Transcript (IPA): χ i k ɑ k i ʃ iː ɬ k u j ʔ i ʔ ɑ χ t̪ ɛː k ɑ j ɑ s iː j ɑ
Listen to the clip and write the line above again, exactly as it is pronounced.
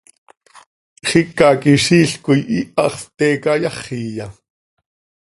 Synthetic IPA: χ i k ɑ k i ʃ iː ɬ k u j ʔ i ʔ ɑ χ t̪ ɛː k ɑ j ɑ χ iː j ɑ